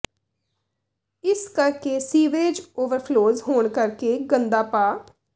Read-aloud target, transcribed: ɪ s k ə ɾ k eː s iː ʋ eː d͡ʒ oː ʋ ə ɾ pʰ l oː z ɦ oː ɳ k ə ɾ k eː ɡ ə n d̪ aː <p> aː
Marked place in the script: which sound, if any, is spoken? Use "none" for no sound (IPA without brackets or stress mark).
p